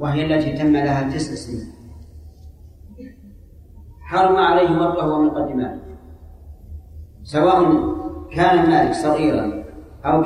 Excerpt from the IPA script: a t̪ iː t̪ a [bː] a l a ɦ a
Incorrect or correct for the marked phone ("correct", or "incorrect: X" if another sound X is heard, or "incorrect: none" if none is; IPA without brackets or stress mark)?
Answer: incorrect: mː